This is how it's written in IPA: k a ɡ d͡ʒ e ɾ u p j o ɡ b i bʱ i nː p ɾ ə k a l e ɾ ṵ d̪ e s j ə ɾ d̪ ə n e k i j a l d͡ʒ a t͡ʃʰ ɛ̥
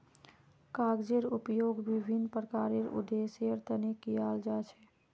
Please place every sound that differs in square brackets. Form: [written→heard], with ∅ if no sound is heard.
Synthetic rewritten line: k a ɡ d͡ʒ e ɾ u p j o ɡ b i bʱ i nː p ɾ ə k a [l→ɾ] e ɾ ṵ d̪ e s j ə ɾ [d̪→t̪] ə n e k i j a l d͡ʒ a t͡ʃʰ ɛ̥